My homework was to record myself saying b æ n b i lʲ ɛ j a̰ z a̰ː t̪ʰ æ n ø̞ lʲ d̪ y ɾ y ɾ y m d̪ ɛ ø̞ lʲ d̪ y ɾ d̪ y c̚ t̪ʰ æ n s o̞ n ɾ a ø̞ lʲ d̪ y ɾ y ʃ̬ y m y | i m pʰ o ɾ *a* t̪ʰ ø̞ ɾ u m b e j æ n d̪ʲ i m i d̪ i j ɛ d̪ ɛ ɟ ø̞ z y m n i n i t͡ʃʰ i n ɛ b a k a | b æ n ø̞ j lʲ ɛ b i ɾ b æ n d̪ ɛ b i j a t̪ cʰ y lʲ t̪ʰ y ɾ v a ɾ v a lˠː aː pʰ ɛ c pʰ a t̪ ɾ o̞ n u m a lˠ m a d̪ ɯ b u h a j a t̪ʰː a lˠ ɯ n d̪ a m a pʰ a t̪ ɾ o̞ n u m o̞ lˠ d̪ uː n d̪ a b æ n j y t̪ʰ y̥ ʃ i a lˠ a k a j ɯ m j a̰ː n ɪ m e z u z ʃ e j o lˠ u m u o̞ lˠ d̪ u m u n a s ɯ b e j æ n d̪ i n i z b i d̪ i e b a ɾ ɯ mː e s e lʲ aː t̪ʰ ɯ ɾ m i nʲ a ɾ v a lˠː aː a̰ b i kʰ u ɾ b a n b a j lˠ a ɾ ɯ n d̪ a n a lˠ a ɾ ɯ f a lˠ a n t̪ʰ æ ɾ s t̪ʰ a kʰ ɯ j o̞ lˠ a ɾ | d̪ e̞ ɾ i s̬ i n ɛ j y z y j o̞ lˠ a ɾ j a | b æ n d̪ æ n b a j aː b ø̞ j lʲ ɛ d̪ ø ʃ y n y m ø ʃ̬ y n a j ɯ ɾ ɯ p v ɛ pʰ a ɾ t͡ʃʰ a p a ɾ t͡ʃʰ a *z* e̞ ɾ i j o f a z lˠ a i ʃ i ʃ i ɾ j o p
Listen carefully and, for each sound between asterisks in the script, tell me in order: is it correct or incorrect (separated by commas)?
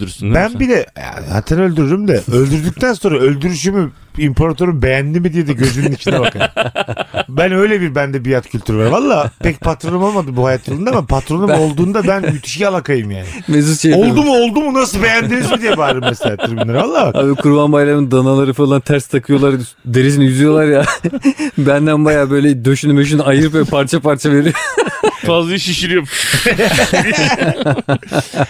correct, incorrect